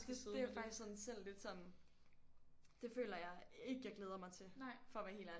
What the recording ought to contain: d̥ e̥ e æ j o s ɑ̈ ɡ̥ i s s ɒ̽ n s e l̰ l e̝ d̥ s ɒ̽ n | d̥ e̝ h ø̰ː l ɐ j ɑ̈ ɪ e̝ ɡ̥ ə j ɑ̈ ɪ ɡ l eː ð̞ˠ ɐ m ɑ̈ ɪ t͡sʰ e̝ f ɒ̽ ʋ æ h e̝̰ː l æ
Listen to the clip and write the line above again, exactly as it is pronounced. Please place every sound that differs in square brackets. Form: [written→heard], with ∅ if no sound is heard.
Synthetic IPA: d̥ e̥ e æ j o [s→f] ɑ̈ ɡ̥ i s s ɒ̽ n s e l̰ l e̝ d̥ s ɒ̽ n | d̥ e̝ [h→f] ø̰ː l ɐ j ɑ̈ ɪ e̝ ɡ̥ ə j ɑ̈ ɪ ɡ l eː ð̞ˠ ɐ m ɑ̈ ɪ t͡sʰ e̝ f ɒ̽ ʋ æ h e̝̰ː l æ